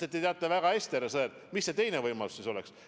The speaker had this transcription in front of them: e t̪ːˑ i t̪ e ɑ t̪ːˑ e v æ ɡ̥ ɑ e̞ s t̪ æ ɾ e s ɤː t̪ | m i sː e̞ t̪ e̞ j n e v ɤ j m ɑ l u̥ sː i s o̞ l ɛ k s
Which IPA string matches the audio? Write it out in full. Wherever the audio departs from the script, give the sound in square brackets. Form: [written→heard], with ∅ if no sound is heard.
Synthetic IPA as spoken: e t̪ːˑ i t̪ e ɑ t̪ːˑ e v æ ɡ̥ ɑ e̞ s t̪ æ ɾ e s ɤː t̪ | m i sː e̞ t̪ e̞ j n e v ɤ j m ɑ l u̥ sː i s o̞ l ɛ k s